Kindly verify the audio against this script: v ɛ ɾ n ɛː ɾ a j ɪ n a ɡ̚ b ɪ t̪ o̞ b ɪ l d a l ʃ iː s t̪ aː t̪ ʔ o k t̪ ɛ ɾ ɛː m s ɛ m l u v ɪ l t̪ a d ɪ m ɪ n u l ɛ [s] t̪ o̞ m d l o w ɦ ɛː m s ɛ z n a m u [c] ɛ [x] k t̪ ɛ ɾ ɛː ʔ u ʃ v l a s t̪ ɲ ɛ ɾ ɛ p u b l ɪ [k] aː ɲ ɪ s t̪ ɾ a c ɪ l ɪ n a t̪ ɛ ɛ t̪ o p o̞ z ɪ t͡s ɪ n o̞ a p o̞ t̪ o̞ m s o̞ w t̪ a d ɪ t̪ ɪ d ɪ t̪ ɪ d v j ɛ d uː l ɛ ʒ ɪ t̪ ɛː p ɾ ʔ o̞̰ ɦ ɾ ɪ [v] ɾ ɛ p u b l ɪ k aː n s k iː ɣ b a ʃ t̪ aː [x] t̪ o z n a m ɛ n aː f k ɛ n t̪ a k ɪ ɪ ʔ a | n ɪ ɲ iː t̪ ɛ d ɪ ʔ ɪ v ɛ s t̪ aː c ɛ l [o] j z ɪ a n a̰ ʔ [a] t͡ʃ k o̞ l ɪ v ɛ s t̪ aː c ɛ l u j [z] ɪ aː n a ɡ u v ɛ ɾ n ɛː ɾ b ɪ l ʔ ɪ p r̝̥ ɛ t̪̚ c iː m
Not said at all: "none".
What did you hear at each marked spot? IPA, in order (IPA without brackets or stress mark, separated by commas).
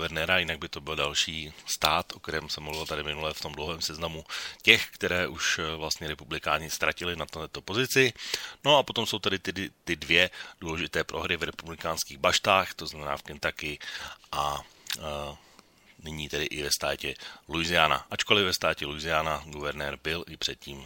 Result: f, c, x, k, v, x, u, a, z